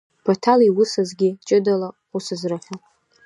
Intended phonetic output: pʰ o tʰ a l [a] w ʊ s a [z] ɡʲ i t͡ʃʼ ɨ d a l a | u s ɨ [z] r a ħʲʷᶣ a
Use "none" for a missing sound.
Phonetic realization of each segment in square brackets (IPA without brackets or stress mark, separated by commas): i, z, z